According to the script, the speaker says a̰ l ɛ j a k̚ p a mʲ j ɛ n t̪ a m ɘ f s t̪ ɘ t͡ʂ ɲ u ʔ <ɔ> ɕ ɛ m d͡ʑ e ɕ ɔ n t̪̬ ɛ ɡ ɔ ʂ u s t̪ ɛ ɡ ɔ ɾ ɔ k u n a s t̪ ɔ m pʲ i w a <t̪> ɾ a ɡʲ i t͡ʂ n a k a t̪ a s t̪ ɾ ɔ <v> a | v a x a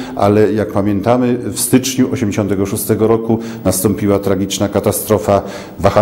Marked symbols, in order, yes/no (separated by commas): yes, yes, no